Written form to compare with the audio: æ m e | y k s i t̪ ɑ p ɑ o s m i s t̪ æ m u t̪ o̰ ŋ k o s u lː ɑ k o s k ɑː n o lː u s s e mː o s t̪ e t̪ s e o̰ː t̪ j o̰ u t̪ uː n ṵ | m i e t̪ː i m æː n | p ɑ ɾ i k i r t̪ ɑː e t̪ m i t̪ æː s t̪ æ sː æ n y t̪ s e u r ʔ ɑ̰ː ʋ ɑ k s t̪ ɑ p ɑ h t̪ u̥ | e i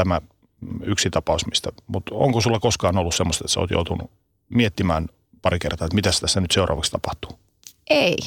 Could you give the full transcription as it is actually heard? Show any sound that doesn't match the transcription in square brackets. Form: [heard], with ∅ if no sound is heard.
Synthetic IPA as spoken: æ m [æ] | y k s i t̪ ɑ p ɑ [u] s m i s t̪ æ m u t̪ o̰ ŋ k o s u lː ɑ k o s k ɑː n o lː u s s e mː o s t̪ e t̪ s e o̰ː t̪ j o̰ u t̪ [u] n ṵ | m i e t̪ː i m æː n | p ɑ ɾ i k [e] r t̪ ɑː e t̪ m i t̪ [æ] s t̪ æ sː æ n y t̪ s e u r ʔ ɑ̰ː ʋ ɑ k s t̪ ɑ p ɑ h t̪ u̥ | e i